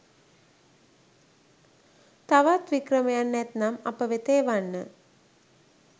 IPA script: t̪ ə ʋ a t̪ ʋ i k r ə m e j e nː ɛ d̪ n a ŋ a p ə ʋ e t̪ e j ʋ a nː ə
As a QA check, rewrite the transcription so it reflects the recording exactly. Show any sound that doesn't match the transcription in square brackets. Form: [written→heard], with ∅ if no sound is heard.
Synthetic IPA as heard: t̪ [ə→a] ʋ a t̪ ʋ i k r ə m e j [e→a] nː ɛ [d̪→t̪] n a [ŋ→m] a p ə ʋ e t̪ e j ʋ a nː ə